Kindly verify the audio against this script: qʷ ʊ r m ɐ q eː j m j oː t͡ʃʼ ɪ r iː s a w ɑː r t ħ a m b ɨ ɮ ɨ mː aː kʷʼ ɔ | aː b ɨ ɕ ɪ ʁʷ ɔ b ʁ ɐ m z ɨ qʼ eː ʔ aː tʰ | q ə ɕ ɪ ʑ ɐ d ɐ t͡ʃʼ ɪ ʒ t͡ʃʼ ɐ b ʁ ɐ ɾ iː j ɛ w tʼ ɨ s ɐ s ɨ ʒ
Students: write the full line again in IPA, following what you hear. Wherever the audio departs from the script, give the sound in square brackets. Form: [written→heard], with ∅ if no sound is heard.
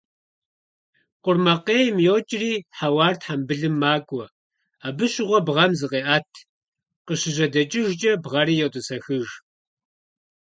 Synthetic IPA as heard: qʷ ʊ r m ɐ q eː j m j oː t͡ʃʼ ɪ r iː [s→ħ] a w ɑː r t ħ a m b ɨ ɮ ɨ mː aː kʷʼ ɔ | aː b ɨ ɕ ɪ ʁʷ ɔ b ʁ ɐ m z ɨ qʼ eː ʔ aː tʰ | q ə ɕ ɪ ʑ ɐ d ɐ t͡ʃʼ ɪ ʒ t͡ʃʼ ɐ b ʁ ɐ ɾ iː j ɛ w tʼ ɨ s ɐ [s→x] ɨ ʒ